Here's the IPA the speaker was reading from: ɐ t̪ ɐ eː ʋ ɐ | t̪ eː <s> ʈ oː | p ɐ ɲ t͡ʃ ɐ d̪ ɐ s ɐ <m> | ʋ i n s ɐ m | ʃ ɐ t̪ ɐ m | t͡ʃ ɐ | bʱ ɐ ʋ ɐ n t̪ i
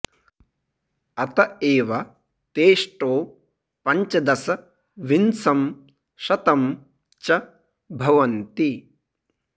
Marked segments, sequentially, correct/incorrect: incorrect, incorrect

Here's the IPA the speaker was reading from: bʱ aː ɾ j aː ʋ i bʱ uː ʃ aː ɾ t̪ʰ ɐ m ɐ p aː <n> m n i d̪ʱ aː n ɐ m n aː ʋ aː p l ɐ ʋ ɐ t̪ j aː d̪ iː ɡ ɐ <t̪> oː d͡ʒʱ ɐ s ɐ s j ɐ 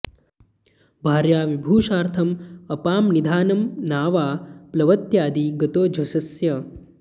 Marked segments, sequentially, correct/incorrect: incorrect, correct

